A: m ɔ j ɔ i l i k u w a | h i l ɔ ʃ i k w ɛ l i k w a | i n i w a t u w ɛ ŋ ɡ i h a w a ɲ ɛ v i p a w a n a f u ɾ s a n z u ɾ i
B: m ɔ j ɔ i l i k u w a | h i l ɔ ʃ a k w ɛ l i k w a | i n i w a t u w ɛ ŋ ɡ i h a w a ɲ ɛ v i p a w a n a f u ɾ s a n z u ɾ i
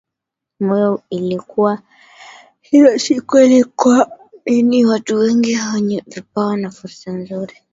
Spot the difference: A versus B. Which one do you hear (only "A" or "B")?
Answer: A